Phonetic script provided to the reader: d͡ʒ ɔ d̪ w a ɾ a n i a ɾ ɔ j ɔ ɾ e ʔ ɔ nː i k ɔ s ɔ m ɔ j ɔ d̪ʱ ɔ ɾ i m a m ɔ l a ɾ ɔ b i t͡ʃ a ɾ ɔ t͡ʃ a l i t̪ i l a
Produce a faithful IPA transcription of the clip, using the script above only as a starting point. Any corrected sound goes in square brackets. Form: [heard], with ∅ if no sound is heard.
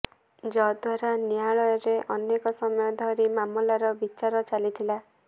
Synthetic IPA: d͡ʒ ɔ d̪ w a ɾ a n i a [ɭ] ɔ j ɔ ɾ e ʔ ɔ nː [e] k ɔ s ɔ m ɔ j ɔ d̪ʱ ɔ ɾ i m a m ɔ l a ɾ ɔ b i t͡ʃ a ɾ ɔ t͡ʃ a l i [t̪ʰ] i l a

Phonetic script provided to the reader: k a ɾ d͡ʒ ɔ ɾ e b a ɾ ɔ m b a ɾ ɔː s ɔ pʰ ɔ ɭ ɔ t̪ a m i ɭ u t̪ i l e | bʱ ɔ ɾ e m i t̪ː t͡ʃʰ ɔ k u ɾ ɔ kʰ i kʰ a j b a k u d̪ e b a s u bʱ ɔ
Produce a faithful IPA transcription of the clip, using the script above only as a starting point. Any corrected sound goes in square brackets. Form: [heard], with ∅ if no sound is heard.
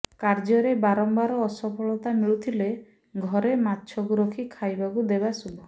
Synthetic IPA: k a ɾ d͡ʒ ɔ ɾ e b a ɾ ɔ m b a ɾ ɔː s ɔ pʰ ɔ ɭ ɔ t̪ a m i ɭ u [t̪ʰ] i l e | [ɡʱ] ɔ ɾ e m [a] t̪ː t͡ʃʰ ɔ k u ɾ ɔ kʰ i kʰ a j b a k u d̪ e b a s u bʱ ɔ

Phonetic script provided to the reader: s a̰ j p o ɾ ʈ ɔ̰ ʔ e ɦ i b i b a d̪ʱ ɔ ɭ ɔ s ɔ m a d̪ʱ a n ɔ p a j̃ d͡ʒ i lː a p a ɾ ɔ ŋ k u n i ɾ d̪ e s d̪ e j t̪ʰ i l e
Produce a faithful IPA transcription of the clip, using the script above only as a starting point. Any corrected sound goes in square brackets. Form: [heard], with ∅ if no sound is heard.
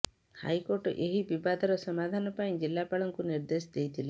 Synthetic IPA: [h] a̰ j [k] o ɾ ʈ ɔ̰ ʔ e ɦ i b i b a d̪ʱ ɔ [ɾ] ɔ s ɔ m a d̪ʱ a n ɔ p a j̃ d͡ʒ i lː a p a [ɭ] ɔ ŋ k u n i ɾ d̪ e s d̪ e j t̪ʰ i l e

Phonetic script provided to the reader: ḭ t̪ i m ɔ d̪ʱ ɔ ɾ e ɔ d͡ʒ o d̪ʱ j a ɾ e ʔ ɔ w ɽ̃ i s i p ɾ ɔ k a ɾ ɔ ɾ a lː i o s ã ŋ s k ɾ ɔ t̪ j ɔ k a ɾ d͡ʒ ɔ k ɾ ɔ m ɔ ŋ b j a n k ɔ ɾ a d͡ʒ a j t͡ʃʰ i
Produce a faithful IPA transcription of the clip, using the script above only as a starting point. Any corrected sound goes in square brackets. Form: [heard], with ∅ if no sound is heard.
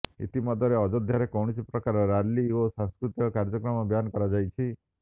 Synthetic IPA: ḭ t̪ i m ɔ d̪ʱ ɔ ɾ e ɔ d͡ʒ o d̪ʱ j a ɾ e [k] ɔ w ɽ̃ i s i p ɾ ɔ k a ɾ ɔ ɾ a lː i o s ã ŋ s k ɾ [u] t̪ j ɔ k a ɾ d͡ʒ ɔ k ɾ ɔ m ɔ [∅] b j a n k ɔ ɾ a d͡ʒ a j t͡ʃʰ i

